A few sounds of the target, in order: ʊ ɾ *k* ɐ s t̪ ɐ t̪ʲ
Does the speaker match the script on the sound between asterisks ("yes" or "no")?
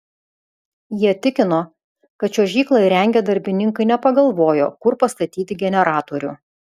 no